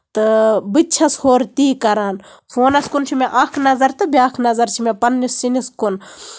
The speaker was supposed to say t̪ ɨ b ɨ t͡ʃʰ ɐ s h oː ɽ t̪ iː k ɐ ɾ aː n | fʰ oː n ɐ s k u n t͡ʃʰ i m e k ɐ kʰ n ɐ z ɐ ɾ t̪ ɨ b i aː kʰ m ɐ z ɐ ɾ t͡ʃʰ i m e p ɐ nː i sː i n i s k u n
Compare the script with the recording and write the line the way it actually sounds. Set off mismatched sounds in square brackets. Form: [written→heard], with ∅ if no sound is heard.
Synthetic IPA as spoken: t̪ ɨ b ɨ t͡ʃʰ ɐ s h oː [ɽ→ɾ] t̪ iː k ɐ ɾ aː n | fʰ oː n ɐ s k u n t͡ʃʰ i m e [k→ʔ] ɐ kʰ n ɐ z ɐ ɾ t̪ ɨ b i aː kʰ [m→n] ɐ z ɐ ɾ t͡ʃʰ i m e p ɐ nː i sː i n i s k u n

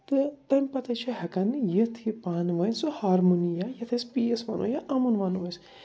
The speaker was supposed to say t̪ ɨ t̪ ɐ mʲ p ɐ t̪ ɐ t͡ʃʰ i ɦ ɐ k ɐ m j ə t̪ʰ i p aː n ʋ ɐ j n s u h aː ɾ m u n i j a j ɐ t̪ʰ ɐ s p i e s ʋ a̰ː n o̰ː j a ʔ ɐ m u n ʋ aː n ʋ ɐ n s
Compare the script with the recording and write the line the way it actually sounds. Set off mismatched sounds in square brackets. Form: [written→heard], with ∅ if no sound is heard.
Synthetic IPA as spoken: t̪ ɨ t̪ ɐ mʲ p ɐ t̪ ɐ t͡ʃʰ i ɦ ɐ k ɐ [m→n] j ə t̪ʰ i p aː n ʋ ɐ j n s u h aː ɾ m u n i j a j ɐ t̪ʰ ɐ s p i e s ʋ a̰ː n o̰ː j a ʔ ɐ m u n ʋ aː n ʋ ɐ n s

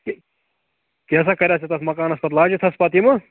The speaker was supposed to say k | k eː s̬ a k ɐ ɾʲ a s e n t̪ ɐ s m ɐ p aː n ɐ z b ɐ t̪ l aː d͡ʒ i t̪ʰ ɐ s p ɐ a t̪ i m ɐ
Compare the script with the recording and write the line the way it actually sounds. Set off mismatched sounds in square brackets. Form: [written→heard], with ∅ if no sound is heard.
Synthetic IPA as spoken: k | k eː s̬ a k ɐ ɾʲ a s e [n→∅] t̪ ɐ s m ɐ [p→k] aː n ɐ [z→s] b ɐ t̪ l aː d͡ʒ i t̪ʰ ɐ s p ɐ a t̪ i m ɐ

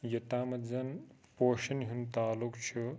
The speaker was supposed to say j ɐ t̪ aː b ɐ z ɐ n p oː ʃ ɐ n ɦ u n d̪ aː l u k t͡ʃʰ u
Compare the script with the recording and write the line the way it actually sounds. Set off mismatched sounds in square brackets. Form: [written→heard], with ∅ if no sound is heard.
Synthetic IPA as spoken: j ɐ t̪ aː [b→m] ɐ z ɐ n p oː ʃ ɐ n ɦ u n [d̪→t̪] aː l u k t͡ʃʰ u

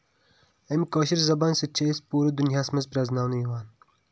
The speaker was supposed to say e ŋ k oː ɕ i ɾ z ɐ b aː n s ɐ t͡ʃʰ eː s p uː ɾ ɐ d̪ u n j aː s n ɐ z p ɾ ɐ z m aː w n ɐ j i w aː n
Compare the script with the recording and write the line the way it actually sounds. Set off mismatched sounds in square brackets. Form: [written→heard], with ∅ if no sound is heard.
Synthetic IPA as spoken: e [ŋ→m] k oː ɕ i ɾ z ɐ b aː n s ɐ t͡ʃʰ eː s p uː ɾ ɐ d̪ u n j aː s [n→m] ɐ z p ɾ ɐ z [m→n] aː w n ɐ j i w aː n

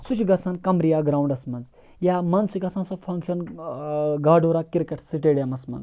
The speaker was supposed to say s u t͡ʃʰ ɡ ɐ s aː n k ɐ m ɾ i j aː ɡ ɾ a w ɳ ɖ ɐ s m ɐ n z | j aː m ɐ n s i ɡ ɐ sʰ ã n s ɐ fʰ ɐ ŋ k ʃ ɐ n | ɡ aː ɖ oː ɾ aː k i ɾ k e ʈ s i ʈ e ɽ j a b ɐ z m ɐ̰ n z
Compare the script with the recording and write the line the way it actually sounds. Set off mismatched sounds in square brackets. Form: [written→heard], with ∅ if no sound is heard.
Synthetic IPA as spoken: s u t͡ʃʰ ɡ ɐ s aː n k ɐ m ɾ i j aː ɡ ɾ a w ɳ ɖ ɐ s m ɐ n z | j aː m ɐ n s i ɡ ɐ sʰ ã n s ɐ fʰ ɐ ŋ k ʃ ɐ n | ɡ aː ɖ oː ɾ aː k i ɾ k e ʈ s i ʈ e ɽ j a [b→m] ɐ [z→s] m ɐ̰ n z

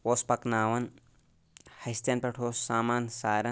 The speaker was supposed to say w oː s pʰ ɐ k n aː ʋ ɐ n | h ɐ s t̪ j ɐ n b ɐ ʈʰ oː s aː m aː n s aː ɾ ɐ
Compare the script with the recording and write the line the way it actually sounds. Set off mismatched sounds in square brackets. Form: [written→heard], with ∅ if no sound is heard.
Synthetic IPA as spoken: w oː s [pʰ→p] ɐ k n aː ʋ ɐ n | h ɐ s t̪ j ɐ n [b→p] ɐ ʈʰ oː s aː m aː n s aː ɾ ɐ

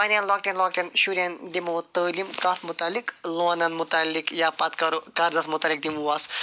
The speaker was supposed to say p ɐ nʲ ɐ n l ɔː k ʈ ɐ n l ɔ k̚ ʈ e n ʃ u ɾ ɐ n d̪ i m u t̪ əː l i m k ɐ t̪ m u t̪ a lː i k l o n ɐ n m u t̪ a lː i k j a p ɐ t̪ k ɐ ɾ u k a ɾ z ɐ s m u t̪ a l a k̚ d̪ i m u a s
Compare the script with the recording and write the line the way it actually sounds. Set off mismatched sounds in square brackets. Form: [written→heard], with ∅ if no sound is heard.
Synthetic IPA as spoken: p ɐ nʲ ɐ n l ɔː k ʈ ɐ n l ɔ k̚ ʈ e n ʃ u ɾ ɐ n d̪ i m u t̪ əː l i m k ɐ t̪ m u t̪ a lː i k l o n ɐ n m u t̪ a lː i k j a p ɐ t̪ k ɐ ɾ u k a ɾ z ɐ s m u t̪ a l [a→i] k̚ d̪ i m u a s

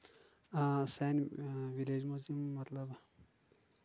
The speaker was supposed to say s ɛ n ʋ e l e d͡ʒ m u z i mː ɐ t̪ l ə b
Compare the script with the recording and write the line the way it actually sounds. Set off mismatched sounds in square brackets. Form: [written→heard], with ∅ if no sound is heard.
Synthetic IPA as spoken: s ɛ n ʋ [e→i] l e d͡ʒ m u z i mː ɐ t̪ l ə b

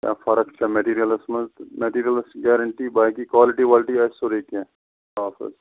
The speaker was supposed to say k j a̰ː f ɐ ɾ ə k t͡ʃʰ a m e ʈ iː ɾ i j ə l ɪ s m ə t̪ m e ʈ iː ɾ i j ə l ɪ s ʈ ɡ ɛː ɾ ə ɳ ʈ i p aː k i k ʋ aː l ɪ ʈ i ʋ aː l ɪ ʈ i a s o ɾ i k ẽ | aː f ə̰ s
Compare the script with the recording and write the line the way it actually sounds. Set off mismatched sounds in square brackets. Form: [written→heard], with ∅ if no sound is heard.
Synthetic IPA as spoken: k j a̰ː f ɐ ɾ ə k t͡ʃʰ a m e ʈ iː ɾ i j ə l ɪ s m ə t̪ m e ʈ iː ɾ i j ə l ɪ s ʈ ɡ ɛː ɾ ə ɳ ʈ i [p→b] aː k i k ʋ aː l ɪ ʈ i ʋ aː l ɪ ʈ i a s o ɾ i k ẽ | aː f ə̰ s

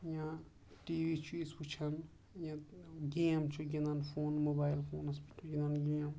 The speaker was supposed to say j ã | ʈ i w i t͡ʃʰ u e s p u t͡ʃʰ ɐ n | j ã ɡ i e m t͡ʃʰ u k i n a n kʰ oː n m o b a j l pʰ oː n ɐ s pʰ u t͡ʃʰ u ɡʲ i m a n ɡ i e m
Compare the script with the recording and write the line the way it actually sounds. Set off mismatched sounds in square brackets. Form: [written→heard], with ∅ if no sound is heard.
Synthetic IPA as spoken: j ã | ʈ i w i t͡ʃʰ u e s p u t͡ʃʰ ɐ n | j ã ɡ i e m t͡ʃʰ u [k→ɡ] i n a n [kʰ→pʰ] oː n m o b a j l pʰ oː n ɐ s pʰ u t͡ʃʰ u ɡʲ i [m→n] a n ɡ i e m

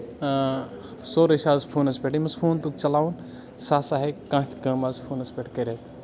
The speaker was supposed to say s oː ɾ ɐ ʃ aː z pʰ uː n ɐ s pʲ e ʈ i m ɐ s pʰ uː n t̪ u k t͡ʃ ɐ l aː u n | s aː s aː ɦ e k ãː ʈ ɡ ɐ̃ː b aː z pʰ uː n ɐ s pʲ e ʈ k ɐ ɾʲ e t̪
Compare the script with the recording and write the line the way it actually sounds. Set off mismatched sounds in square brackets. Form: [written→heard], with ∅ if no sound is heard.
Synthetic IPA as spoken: s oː ɾ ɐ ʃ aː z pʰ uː n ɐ s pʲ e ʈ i m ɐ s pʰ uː n t̪ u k t͡ʃ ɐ l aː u n | s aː s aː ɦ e k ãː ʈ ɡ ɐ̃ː [b→m] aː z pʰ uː n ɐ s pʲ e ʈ k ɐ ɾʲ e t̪

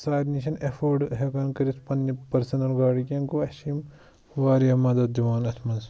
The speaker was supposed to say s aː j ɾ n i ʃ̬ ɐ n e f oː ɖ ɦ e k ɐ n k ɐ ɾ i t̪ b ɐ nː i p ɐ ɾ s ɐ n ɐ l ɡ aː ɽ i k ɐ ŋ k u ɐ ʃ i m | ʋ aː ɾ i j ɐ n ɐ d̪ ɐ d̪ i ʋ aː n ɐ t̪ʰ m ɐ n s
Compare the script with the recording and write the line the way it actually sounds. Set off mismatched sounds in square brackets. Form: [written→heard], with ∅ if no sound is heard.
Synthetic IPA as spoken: s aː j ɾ n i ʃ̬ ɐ n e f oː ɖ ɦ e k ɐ n k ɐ ɾ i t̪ [b→p] ɐ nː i p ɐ ɾ s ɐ n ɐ l ɡ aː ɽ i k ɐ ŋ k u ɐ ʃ i m | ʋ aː ɾ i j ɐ [n→m] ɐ d̪ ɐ d̪ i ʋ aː n ɐ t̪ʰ m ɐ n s

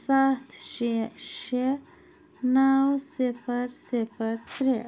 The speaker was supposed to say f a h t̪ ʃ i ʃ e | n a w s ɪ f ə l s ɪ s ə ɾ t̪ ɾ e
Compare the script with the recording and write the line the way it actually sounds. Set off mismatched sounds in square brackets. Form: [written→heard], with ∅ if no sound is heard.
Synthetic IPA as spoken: [f→s] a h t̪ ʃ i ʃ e | n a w s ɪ f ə [l→ɾ] s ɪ [s→f] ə ɾ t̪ ɾ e

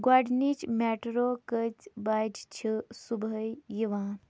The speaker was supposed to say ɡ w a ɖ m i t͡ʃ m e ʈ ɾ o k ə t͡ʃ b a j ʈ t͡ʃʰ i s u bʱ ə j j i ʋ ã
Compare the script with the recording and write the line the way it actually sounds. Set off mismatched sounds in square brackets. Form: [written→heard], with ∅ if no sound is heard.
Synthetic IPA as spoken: ɡ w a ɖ [m→n] i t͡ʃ m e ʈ ɾ o k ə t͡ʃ b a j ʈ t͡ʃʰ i s u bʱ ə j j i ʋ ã

